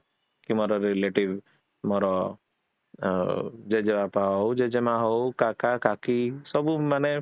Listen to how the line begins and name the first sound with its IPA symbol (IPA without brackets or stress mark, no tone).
k